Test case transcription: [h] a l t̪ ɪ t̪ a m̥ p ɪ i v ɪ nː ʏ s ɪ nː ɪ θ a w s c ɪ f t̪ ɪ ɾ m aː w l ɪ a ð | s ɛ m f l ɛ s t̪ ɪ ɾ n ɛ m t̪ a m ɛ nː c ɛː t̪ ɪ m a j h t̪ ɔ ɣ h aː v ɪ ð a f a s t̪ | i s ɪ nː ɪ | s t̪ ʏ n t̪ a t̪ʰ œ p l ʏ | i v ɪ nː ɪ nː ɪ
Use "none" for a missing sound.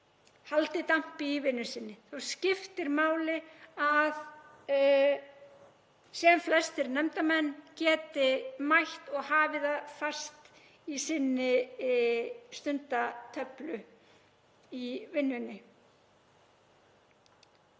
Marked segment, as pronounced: h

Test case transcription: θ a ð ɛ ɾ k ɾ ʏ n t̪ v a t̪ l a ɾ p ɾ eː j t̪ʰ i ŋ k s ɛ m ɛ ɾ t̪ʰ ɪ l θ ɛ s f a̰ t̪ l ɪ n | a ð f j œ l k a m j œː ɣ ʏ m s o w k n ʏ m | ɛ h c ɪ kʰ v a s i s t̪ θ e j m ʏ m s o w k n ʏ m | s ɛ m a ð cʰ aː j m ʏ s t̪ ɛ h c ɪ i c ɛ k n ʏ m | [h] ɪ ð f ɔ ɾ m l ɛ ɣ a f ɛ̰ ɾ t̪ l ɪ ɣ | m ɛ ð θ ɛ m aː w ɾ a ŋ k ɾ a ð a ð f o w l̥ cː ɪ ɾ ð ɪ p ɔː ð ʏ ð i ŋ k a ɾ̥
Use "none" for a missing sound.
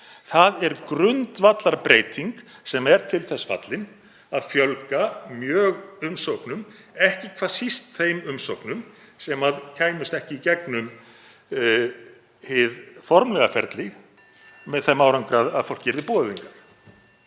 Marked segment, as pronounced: h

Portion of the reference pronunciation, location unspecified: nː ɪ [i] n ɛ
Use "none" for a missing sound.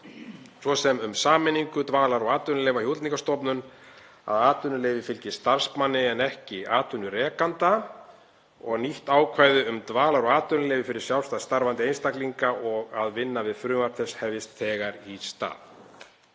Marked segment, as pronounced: ɛ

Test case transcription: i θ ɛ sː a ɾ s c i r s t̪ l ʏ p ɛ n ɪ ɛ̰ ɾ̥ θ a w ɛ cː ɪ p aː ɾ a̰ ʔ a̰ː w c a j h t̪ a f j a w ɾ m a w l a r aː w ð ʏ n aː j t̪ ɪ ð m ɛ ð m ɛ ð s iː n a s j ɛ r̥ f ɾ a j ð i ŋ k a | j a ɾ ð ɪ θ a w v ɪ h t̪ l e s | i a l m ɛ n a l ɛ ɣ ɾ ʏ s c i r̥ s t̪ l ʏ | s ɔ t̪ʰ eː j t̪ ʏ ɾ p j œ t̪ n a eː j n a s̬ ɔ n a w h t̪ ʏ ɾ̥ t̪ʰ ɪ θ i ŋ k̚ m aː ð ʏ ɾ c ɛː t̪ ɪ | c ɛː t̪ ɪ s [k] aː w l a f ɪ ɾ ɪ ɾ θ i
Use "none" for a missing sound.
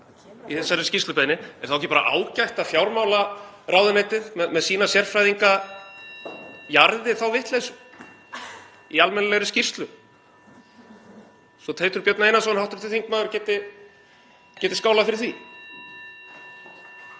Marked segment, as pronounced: k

